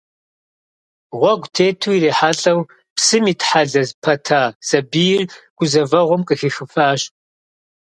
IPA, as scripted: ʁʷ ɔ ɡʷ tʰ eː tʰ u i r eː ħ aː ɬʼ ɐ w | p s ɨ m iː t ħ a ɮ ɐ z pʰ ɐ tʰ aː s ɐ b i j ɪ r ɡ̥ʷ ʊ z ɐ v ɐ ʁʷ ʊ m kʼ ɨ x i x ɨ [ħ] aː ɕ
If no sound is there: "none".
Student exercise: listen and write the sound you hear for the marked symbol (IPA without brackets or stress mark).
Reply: f